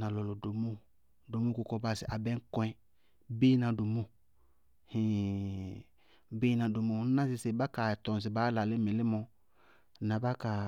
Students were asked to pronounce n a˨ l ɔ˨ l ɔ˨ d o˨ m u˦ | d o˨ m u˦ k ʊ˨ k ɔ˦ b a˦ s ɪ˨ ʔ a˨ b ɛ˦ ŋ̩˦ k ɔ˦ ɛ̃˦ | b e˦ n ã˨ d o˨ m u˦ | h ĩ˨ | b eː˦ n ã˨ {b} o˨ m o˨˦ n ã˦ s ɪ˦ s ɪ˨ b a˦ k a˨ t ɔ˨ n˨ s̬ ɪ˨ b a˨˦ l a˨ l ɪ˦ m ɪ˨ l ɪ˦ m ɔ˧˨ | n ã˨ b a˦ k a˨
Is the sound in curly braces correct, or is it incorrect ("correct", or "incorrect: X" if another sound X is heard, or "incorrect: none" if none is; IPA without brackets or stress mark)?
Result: incorrect: d